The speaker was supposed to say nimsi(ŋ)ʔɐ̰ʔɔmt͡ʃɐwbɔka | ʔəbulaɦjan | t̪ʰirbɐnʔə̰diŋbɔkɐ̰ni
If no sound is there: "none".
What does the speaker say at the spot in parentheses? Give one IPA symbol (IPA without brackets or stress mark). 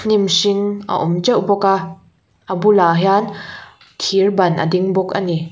ŋ